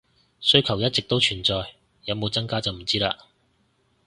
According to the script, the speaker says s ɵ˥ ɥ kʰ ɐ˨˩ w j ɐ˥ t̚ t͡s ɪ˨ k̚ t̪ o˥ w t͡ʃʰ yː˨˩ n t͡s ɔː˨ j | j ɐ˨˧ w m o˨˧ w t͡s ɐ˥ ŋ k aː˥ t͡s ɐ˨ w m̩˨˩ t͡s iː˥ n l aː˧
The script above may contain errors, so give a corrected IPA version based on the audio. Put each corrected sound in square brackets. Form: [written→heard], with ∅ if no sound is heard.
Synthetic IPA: s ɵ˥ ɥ kʰ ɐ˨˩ w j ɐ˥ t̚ t͡s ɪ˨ k̚ t̪ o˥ w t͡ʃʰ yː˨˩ n t͡s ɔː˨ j | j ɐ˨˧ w m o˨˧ w t͡s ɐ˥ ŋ k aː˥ t͡s ɐ˨ w m̩˨˩ t͡s iː˥ [n→∅] l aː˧